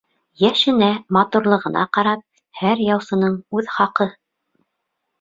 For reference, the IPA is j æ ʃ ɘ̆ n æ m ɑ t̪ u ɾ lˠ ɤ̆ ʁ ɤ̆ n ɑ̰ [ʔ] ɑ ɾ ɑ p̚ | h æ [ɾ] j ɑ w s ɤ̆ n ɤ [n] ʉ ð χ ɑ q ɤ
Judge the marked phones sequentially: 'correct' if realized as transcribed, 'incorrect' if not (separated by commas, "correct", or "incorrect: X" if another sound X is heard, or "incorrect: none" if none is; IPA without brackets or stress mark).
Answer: incorrect: q, correct, incorrect: ɴ